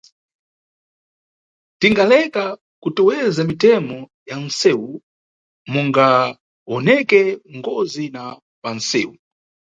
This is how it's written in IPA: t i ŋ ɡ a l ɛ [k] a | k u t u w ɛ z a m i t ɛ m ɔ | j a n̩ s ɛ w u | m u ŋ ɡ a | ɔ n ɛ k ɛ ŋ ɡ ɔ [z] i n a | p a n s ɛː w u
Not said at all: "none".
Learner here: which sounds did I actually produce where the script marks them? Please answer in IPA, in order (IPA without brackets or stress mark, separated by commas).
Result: k, z